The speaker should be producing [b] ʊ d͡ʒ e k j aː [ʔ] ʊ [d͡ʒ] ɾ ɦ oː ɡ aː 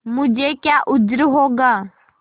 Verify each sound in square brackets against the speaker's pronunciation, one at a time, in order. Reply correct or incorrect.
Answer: incorrect: m, correct, correct

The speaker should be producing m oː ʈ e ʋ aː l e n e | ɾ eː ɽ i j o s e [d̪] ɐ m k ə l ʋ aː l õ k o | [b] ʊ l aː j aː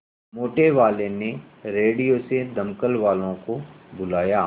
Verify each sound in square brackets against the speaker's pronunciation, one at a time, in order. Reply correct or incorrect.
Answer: correct, correct

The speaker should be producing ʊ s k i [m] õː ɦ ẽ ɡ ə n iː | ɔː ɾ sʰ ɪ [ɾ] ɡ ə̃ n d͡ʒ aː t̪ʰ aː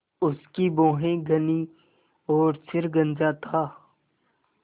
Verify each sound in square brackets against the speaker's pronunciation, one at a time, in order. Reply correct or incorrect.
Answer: incorrect: b, correct

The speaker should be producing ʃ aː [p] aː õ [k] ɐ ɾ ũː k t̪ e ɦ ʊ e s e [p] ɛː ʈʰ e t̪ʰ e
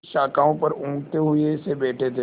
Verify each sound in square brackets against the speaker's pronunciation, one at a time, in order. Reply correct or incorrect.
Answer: incorrect: k, incorrect: p, incorrect: b

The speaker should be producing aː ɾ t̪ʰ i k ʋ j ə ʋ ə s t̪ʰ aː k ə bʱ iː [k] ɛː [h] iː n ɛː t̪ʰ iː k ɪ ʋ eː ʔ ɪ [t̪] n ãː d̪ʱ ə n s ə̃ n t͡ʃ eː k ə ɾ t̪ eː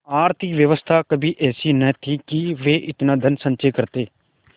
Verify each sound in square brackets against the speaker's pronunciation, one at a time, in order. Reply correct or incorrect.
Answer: incorrect: ʔ, incorrect: s, correct

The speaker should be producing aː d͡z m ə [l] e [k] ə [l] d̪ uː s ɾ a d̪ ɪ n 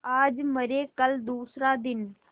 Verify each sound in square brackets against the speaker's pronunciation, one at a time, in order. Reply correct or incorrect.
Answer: incorrect: ɾ, correct, correct

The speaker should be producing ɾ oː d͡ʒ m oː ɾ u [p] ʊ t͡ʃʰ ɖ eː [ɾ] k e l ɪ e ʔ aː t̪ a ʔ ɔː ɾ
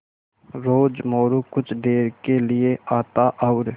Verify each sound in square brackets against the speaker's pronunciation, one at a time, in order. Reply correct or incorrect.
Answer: incorrect: k, correct

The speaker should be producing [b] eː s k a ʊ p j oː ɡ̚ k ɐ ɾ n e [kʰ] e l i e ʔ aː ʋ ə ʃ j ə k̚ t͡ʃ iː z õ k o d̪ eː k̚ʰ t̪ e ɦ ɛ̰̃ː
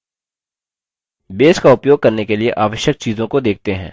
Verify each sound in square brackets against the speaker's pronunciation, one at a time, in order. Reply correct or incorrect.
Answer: correct, incorrect: k

